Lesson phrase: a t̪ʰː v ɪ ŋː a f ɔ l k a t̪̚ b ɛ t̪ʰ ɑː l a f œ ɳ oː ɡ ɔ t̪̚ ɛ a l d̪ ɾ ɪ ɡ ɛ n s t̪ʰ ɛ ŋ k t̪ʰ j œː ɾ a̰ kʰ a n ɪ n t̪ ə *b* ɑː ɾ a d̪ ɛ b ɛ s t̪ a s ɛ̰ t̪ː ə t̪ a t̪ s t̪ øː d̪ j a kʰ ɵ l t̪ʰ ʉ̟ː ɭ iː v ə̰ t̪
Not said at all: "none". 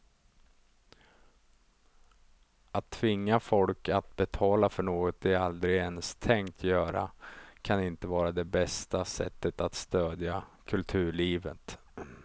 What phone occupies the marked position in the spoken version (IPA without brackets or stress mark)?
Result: v